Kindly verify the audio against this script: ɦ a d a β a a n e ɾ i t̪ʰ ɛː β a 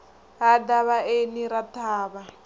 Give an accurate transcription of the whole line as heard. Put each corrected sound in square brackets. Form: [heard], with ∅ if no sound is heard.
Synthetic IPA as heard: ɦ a d a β a [e] n [i] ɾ [a] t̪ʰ [aː] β a